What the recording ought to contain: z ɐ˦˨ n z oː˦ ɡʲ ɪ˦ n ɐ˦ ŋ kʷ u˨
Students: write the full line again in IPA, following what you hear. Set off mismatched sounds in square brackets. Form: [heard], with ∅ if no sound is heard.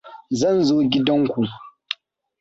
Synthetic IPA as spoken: z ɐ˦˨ n z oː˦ ɡʲ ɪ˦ [d] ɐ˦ ŋ kʷ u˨